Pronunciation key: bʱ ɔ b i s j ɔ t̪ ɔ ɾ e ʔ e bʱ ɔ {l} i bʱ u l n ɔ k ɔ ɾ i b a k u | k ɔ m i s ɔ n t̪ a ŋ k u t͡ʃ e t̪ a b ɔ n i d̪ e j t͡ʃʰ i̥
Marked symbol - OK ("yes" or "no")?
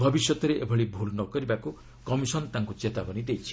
no